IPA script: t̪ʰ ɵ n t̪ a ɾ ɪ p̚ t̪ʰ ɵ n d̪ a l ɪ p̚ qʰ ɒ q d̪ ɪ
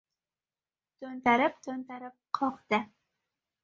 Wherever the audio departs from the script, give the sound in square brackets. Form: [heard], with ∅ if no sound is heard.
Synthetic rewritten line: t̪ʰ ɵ n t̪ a ɾ ɪ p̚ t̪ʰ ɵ n [t̪] a [ɾ] ɪ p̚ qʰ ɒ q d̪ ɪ